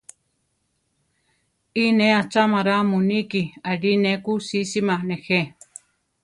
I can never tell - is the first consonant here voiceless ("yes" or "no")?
no